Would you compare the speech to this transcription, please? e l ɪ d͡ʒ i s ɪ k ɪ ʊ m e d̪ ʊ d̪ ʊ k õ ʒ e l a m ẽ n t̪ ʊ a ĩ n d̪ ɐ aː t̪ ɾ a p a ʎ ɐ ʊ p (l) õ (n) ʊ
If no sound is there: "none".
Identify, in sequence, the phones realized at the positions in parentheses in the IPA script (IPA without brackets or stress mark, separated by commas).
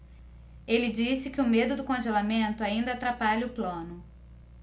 l, n